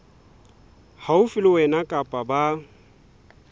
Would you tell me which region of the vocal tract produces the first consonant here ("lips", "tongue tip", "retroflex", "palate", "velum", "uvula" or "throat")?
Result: throat